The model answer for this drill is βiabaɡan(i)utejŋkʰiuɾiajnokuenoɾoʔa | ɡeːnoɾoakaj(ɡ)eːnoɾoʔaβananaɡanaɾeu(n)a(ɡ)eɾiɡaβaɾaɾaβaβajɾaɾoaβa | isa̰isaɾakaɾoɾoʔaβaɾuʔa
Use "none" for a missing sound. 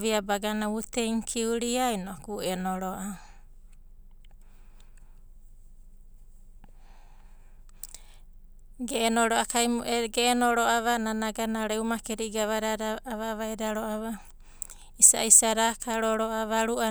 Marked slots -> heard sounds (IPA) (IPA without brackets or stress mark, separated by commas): a, ɡ, m, k